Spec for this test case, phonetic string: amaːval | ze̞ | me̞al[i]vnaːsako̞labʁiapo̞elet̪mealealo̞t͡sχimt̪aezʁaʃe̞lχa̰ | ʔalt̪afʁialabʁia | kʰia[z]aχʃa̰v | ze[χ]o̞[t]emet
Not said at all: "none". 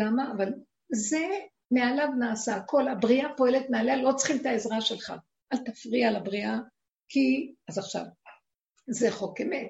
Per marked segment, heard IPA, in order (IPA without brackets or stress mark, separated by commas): a, z, χ, k